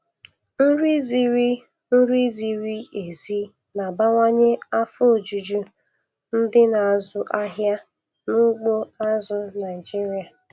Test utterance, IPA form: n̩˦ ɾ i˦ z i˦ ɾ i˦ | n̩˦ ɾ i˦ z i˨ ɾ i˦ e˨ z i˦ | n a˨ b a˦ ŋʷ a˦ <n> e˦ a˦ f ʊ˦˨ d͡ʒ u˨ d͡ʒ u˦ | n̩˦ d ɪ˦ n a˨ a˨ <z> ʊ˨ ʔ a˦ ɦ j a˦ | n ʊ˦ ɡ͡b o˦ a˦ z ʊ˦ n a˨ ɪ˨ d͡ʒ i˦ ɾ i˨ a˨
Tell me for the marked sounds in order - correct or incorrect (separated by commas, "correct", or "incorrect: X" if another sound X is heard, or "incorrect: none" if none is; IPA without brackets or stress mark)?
incorrect: ɲ, correct